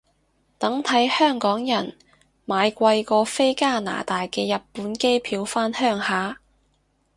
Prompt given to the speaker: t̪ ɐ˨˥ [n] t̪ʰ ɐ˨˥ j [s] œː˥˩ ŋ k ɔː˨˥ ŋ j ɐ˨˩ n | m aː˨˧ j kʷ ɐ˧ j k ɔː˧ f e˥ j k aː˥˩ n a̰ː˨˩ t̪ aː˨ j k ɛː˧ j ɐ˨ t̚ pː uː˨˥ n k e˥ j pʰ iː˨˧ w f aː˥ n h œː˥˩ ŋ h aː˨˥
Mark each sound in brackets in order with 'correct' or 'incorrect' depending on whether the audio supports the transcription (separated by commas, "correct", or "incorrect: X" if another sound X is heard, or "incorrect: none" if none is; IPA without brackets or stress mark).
incorrect: ŋ, incorrect: h